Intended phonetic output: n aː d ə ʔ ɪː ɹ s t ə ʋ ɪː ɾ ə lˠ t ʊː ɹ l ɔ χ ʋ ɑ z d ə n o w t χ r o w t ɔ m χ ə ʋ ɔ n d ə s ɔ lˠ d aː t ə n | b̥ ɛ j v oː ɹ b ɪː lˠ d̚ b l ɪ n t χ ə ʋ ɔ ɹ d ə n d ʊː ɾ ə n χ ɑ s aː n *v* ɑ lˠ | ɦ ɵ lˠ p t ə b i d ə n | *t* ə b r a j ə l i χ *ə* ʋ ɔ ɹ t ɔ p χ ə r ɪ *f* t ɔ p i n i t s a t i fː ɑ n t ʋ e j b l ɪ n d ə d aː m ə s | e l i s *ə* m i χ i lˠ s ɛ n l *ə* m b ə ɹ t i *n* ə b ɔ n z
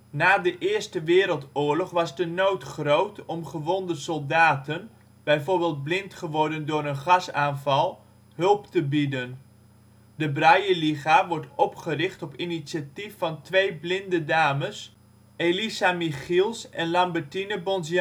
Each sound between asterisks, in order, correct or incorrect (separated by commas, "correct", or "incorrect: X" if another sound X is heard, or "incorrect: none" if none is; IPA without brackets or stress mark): correct, incorrect: d, incorrect: a, incorrect: χ, incorrect: a, incorrect: ɑ, correct